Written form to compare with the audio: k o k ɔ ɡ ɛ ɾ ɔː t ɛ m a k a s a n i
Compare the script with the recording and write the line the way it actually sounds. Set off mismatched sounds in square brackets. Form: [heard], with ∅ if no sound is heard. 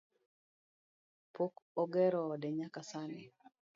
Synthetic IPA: [p] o k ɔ ɡ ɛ ɾ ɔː [d] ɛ [ɲ] a k a s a n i